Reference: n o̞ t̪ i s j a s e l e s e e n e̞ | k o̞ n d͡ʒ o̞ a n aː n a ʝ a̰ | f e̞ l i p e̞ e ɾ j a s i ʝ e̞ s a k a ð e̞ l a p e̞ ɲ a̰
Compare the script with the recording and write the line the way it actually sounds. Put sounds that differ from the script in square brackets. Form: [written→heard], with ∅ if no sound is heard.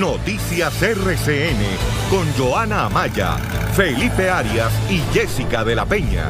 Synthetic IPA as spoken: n o̞ t̪ i s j a s e [l→r] e s e e n e̞ | k o̞ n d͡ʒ o̞ a n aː [n→m] a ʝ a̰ | f e̞ l i p e̞ [e→a] ɾ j a s i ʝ e̞ s [a→i] k a ð e̞ l a p e̞ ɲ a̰

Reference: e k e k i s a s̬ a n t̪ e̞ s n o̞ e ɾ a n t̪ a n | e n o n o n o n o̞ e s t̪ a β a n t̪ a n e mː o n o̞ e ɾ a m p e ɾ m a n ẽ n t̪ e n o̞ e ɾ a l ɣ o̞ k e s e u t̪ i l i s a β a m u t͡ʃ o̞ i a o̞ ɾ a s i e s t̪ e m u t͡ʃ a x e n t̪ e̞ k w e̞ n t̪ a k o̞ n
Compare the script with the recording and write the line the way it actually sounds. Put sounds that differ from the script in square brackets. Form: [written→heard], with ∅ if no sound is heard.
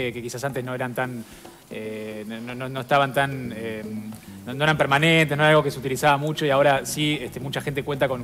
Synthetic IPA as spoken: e k e k i s a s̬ a n t̪ e̞ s n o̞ e ɾ a n t̪ a n | e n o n o n o n o̞ e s t̪ a β a n t̪ a n e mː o n o̞ e ɾ a m p e ɾ m a n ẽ n t̪ e n o̞ e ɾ a l ɣ o̞ k e s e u t̪ i l i s a β a m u t͡ʃ o̞ i a o̞ ɾ a s i e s t̪ e m u t͡ʃ a x e n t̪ e̞ k w e̞ n t̪ a k o̞ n

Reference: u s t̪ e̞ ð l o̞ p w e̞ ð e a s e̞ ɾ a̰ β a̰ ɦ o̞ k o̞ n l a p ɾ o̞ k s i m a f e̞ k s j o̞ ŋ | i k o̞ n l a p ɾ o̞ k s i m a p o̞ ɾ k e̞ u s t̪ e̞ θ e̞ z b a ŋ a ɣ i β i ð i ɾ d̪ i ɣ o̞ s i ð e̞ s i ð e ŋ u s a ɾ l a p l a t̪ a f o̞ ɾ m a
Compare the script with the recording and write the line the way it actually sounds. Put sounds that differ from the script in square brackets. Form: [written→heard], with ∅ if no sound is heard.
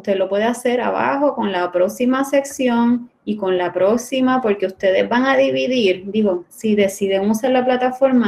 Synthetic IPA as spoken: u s t̪ e̞ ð l o̞ p w e̞ ð e a s e̞ ɾ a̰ β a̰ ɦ o̞ k o̞ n l a p ɾ o̞ k s i m a [f→s] e̞ k s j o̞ ŋ | i k o̞ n l a p ɾ o̞ k s i m a p o̞ ɾ k e̞ u s t̪ e̞ [θ→ð] e̞ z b a ŋ a [ɣ→ð] i β i ð i ɾ d̪ i ɣ o̞ s i ð e̞ s i ð e ŋ u s a ɾ l a p l a t̪ a f o̞ ɾ m a

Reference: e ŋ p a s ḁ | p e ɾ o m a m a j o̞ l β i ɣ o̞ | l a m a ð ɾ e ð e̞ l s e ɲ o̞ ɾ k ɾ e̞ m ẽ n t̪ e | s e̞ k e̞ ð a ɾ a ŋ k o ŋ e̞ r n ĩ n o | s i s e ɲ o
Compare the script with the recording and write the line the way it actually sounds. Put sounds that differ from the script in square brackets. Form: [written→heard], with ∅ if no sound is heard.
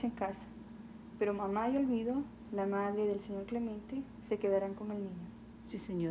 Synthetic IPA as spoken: e ŋ [p→k] a s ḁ | p e ɾ o m a m a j o̞ l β i [ɣ→ð] o̞ | l a m a ð ɾ e ð e̞ l s e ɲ o̞ ɾ k [ɾ→l] e̞ m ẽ n t̪ e | s e̞ k e̞ ð a ɾ a ŋ k o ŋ e̞ [r→l] n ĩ [n→ɲ] o | s i s e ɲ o

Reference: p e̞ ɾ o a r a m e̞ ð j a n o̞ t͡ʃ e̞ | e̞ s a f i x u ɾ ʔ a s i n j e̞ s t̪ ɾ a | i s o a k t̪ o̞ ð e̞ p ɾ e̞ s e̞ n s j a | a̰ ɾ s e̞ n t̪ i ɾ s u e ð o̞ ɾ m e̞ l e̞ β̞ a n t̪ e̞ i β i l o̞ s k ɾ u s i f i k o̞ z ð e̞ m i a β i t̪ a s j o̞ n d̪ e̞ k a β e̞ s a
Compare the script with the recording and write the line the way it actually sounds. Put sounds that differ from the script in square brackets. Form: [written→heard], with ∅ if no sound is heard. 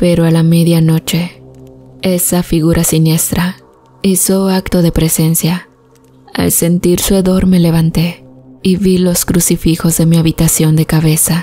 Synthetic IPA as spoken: p e̞ ɾ o a [r→l] a m e̞ ð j a n o̞ t͡ʃ e̞ | e̞ s a f i [x→ɣ] u ɾ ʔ a s i n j e̞ s t̪ ɾ a | i s o a k t̪ o̞ ð e̞ p ɾ e̞ s e̞ n s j a | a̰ [ɾ→l] s e̞ n t̪ i ɾ s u e ð o̞ ɾ m e̞ l e̞ β̞ a n t̪ e̞ i β i l o̞ s k ɾ u s i f i [k→x] o̞ z ð e̞ m i a β i t̪ a s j o̞ n d̪ e̞ k a β e̞ s a

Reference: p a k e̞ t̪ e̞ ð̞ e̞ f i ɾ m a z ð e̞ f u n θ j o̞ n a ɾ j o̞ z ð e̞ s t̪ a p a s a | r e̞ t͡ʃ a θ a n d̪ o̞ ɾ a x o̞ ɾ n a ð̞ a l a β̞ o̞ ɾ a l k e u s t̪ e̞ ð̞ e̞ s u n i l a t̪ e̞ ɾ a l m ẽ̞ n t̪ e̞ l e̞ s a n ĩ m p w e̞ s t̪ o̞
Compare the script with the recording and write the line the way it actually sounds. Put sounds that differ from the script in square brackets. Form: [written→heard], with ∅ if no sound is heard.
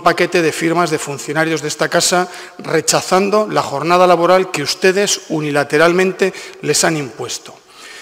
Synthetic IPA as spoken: p a k e̞ t̪ e̞ ð̞ e̞ f i ɾ m a z ð e̞ f u n θ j o̞ n a ɾ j o̞ z ð e̞ s t̪ a [p→k] a s a | r e̞ t͡ʃ a θ a n d̪ o̞ [ɾ→l] a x o̞ ɾ n a ð̞ a l a β̞ o̞ ɾ a l k e u s t̪ e̞ ð̞ e̞ s u n i l a t̪ e̞ ɾ a l m ẽ̞ n t̪ e̞ l e̞ s a n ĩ m p w e̞ s t̪ o̞

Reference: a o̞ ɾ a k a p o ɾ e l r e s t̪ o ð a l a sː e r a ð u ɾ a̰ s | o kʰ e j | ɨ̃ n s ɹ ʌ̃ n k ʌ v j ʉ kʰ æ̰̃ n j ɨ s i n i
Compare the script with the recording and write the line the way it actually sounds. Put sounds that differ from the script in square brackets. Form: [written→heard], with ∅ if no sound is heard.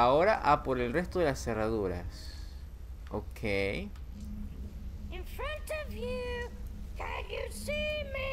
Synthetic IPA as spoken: a o̞ ɾ a [k→ʔ] a p o ɾ e l r e s t̪ o ð [a→e] l a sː e r a ð u ɾ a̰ s | o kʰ e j | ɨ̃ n [s→f] ɹ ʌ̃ n [k→t] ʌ v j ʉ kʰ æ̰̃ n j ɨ s i [n→m] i

